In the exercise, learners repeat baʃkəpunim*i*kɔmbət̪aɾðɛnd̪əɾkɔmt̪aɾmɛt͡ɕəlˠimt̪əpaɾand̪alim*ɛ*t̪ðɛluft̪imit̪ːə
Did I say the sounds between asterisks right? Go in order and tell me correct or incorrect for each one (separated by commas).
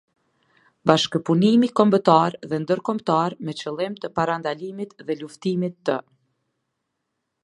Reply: correct, incorrect